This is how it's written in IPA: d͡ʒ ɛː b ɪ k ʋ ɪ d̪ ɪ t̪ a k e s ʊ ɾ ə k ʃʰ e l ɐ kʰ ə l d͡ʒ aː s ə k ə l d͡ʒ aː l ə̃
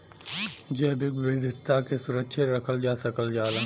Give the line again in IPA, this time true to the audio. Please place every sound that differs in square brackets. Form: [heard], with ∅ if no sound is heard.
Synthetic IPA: d͡ʒ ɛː b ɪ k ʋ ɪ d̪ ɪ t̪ a k e s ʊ ɾ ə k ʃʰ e [ɾ] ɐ kʰ ə l d͡ʒ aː s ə k ə l d͡ʒ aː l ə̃

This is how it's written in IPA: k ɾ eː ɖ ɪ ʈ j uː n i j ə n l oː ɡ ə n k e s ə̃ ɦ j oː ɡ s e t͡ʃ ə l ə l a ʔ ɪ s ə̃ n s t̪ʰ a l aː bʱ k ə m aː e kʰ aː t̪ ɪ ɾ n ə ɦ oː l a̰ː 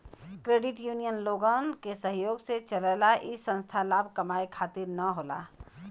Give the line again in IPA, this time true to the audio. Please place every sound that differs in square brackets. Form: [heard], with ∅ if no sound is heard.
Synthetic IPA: k ɾ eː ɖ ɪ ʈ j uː n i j ə n l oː ɡ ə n k e s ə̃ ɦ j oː ɡ s e t͡ʃ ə l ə l a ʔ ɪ s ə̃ n s t̪ʰ a l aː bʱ k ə m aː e kʰ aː t̪ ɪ ɾ n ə ɦ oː l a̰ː

